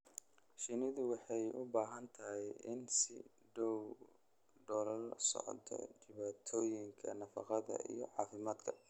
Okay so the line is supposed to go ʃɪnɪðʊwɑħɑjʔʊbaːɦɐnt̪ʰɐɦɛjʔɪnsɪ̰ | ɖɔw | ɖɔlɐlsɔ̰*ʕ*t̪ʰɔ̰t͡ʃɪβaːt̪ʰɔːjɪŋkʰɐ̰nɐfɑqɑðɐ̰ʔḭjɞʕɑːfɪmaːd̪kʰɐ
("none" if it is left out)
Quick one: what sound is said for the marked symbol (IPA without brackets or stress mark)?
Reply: ʕ